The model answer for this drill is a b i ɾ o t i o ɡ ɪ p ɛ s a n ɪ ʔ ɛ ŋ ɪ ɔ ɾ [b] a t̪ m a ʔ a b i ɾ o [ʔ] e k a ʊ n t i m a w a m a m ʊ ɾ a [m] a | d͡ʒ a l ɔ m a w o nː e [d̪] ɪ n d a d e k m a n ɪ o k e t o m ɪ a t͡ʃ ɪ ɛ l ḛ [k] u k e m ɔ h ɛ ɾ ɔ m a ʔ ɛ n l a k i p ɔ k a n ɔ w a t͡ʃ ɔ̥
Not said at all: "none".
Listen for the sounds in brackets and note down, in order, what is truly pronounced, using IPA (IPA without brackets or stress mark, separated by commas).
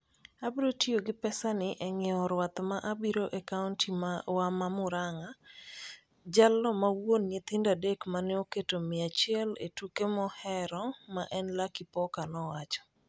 w, ʔ, ŋ, t̪, t